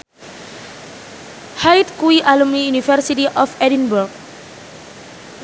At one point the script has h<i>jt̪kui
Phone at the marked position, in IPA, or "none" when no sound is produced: a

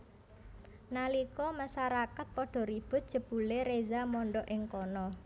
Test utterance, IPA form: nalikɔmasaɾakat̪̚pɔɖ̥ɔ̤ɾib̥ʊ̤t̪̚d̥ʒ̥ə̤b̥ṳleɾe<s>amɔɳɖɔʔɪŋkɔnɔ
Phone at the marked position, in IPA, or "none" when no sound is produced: z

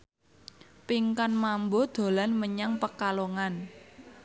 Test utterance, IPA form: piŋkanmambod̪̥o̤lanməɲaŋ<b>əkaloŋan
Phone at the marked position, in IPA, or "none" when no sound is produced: p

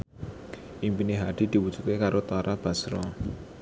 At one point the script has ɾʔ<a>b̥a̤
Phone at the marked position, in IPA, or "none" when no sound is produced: a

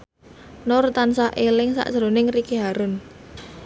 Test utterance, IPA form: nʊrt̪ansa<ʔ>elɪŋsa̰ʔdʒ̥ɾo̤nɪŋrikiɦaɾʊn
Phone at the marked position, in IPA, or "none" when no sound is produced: ʔ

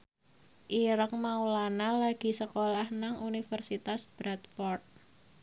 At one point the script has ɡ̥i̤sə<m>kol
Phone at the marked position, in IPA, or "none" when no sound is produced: none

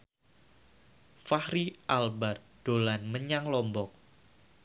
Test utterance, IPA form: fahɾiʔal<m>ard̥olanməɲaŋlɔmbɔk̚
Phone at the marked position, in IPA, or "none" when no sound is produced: b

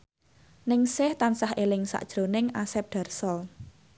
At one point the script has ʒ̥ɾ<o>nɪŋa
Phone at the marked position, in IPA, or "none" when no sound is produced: o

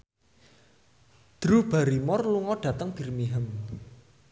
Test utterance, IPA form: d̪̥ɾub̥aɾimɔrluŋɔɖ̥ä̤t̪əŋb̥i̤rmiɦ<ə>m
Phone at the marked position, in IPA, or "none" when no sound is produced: ə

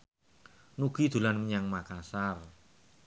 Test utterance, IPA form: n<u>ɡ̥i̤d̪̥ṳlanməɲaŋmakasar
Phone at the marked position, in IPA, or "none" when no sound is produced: u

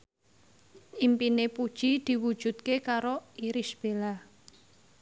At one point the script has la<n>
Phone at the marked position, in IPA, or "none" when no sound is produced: none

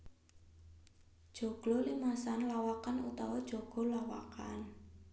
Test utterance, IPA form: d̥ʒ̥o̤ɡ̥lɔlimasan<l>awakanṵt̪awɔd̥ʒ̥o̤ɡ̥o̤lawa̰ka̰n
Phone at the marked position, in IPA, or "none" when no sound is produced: l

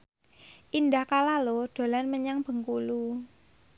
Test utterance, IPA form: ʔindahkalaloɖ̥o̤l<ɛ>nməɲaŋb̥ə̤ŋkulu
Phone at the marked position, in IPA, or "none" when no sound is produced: a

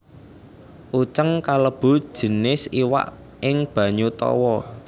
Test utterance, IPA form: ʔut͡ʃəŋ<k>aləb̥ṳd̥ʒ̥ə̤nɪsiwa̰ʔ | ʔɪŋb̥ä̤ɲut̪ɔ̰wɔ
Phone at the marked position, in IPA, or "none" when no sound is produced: k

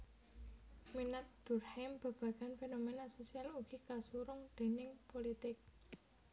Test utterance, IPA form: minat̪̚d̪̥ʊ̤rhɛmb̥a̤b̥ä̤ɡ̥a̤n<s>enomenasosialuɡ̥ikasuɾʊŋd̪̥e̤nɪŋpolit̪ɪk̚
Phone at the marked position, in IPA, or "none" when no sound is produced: f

